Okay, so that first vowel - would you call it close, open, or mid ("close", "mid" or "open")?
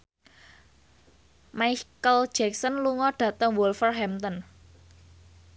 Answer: open